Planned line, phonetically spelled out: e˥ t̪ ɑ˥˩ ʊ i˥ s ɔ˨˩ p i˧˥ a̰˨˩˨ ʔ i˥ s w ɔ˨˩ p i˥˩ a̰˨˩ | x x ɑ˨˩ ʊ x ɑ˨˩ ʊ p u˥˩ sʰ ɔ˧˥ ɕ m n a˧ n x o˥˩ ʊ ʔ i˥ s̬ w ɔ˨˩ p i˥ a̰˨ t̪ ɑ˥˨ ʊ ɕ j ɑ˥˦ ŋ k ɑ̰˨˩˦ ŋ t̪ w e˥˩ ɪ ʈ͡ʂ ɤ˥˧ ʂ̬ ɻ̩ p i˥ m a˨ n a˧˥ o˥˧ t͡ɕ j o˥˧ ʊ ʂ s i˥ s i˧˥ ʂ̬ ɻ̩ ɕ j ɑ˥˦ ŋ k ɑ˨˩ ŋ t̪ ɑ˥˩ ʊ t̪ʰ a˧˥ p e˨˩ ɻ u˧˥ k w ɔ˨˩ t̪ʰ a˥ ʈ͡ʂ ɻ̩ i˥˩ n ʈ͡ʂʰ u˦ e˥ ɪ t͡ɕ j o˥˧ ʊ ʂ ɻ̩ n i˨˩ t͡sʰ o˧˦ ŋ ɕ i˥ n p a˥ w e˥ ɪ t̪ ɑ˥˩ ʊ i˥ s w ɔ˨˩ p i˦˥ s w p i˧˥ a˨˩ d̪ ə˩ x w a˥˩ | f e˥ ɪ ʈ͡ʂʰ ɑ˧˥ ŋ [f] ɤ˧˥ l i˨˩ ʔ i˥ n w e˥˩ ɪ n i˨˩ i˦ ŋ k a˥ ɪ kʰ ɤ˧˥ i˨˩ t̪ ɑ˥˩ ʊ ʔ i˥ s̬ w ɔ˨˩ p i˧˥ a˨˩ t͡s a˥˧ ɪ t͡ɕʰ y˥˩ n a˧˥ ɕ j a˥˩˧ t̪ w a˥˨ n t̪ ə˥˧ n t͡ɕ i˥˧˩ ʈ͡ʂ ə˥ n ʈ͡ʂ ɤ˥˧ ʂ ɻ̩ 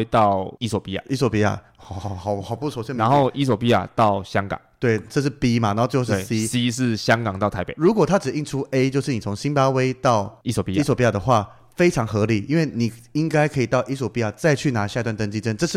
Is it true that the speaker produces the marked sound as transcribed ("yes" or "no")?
no